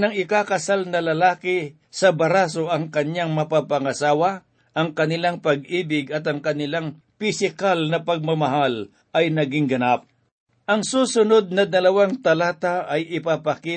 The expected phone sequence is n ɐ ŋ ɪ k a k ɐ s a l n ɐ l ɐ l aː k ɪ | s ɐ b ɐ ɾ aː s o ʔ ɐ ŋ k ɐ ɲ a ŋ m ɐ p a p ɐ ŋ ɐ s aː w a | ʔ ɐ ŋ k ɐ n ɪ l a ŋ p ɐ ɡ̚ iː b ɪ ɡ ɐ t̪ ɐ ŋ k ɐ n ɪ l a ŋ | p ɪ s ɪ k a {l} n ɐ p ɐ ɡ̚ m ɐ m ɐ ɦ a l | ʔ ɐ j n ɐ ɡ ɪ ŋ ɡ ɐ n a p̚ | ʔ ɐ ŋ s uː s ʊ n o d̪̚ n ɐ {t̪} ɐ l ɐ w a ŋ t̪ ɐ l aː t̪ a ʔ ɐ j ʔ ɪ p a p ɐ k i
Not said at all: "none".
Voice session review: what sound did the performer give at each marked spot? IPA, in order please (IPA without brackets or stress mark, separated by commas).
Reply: l, d̪